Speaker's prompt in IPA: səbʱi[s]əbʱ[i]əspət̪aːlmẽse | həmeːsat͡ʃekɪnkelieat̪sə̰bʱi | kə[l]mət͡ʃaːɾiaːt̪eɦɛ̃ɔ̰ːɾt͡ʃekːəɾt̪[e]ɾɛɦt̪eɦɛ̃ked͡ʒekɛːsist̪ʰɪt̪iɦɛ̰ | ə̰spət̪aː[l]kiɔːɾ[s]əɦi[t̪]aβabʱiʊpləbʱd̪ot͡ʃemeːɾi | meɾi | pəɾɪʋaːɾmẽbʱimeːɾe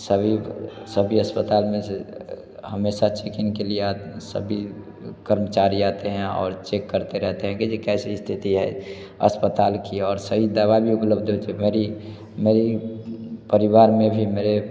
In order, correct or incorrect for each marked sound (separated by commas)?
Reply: correct, correct, incorrect, correct, correct, correct, incorrect